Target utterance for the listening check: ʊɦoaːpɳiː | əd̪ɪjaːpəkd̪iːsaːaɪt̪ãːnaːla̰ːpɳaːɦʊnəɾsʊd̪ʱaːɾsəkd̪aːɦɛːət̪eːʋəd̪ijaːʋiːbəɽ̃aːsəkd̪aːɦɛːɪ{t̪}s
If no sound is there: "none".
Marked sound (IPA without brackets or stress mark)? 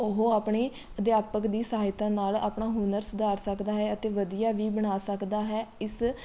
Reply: none